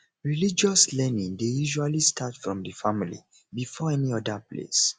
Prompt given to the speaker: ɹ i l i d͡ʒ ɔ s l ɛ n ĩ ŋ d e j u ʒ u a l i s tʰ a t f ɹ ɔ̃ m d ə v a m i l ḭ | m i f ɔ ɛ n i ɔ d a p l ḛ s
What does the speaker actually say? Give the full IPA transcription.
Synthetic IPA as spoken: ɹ i l i d͡ʒ ɔ s l ɛ n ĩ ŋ d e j u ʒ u a l i s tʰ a t f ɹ ɔ̃ m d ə f a m i l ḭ | b i f ɔ ɛ n i ɔ d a p l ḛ s